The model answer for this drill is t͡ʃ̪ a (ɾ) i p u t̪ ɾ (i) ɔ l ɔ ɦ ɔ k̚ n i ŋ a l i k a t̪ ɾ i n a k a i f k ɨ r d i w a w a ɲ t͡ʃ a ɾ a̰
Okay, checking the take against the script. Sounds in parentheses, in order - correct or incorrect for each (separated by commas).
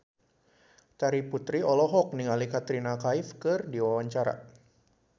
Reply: correct, correct